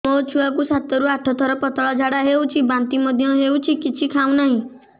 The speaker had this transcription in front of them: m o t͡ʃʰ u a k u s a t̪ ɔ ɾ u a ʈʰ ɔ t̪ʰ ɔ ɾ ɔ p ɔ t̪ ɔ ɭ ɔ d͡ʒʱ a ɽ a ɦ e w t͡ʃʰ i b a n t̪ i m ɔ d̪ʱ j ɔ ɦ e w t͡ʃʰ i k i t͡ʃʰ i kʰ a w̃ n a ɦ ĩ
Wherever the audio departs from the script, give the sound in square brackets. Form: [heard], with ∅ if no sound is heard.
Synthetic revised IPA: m o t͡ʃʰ u a k u s a t̪ ɔ ɾ u a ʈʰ ɔ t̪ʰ ɔ ɾ ɔ p ɔ t̪ ɔ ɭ ɔ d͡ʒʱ a ɽ a ɦ e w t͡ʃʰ i b a n t̪ i m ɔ d̪ʱ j ɔ ɦ e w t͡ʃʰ i k i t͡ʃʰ i kʰ a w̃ n a ɦ ĩ